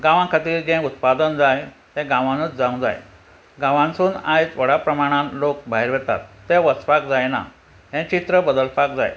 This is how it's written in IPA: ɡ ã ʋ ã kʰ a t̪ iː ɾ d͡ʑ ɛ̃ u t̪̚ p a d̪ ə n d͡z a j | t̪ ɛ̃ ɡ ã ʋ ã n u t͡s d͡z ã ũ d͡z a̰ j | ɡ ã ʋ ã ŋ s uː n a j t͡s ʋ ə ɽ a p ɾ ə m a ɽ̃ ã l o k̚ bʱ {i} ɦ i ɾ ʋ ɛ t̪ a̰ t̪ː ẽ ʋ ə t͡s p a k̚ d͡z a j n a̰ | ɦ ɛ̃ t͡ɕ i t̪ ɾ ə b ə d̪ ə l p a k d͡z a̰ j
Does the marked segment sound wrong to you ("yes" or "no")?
yes